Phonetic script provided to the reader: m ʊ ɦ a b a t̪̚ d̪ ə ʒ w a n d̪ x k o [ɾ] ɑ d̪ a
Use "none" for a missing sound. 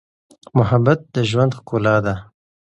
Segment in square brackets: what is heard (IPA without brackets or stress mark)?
l